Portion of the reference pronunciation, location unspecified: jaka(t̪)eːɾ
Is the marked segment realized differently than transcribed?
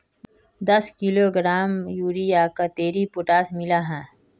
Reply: no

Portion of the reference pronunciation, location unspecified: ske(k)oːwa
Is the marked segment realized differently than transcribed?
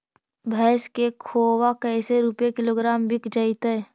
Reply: yes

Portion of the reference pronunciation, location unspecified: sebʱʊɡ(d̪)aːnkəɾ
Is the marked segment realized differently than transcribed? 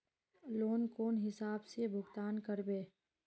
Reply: yes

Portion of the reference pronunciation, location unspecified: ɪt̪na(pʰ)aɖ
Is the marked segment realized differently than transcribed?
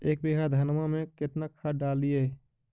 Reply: yes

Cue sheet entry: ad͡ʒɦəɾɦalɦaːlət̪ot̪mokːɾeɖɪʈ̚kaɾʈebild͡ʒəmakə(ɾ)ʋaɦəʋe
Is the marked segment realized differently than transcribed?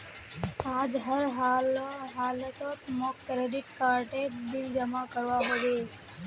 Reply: no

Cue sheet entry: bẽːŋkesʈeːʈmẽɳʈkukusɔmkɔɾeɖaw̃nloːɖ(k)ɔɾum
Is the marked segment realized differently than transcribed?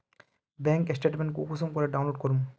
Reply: no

